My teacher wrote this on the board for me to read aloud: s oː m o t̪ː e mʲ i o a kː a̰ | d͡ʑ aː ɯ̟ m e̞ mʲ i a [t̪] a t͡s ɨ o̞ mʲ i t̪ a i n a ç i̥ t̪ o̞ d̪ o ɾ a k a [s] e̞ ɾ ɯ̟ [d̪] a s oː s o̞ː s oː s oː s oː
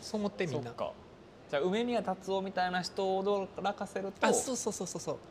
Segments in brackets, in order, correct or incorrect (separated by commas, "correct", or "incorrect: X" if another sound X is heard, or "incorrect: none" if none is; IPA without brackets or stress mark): correct, correct, incorrect: t̪